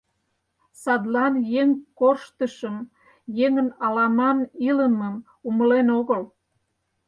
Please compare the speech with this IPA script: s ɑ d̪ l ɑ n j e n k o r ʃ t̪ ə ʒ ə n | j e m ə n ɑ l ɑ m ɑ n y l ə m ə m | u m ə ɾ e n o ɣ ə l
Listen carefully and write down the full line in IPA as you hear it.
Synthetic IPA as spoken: s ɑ d̪ l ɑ n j e ŋ k o r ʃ t̪ ə ʃ ə m | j e ŋ ə n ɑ l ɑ m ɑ n i l ə m ə m | u m ə l e n o ɣ ə l